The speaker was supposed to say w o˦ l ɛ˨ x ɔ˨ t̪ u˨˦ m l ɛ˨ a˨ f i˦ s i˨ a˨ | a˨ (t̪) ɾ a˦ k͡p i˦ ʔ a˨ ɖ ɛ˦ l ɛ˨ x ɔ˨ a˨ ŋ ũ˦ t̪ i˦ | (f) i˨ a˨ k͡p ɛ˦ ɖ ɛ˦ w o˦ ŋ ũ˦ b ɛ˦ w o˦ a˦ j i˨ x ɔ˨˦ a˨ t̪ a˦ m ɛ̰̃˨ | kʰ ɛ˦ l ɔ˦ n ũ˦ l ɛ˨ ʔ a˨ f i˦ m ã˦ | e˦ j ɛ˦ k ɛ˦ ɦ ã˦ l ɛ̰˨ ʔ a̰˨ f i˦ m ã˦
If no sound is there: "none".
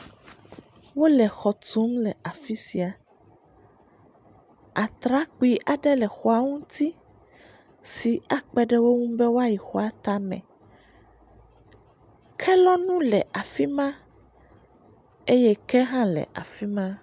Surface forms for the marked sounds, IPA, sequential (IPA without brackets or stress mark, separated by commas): t̪, s